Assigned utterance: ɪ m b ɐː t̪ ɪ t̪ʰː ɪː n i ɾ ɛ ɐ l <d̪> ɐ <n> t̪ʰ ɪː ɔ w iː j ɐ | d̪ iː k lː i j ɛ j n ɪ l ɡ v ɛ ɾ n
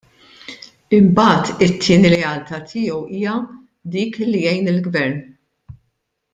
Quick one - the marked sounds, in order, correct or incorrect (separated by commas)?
incorrect, incorrect